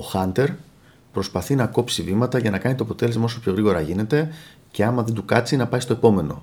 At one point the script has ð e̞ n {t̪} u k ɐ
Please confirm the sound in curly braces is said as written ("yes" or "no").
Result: no